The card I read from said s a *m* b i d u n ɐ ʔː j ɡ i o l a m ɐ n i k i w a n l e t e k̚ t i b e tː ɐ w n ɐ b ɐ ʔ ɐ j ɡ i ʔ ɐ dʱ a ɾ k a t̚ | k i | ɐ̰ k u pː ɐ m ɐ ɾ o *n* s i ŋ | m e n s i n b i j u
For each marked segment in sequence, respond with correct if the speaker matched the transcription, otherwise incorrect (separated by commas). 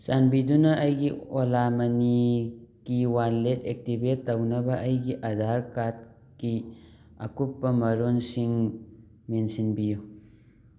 incorrect, correct